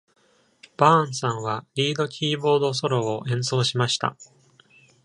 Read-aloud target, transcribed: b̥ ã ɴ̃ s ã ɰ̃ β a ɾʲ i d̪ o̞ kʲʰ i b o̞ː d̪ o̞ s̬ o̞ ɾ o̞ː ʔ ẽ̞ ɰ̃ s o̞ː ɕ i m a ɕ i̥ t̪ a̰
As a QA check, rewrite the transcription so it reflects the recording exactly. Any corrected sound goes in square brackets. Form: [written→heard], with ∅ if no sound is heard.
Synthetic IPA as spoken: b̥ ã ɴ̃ s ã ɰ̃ β a ɾʲ [i→iː] d̪ o̞ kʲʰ [i→iː] b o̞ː d̪ o̞ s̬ o̞ ɾ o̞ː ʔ ẽ̞ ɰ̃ s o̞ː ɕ i m a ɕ i̥ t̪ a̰